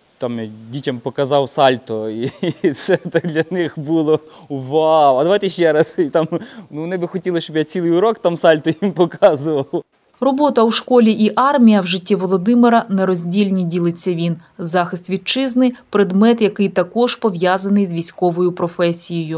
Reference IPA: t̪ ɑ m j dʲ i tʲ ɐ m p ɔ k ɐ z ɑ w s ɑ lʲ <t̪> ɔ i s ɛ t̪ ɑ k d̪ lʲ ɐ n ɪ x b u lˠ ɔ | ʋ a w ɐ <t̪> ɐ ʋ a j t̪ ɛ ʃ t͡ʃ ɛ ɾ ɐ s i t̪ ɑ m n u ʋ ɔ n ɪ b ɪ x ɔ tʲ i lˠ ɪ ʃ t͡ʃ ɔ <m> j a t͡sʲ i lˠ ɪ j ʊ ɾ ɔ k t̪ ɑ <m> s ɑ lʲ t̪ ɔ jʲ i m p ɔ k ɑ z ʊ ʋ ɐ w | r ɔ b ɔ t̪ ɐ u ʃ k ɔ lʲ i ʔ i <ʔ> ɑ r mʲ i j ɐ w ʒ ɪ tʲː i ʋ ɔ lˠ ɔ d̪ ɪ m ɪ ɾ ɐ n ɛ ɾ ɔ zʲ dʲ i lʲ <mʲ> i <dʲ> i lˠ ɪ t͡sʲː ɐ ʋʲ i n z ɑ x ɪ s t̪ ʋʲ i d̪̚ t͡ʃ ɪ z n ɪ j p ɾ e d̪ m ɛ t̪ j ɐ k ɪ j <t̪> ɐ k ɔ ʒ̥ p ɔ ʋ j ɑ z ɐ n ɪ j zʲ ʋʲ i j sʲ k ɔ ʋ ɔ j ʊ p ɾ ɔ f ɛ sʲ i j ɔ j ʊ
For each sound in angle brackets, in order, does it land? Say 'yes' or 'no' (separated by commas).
yes, no, no, yes, yes, no, yes, yes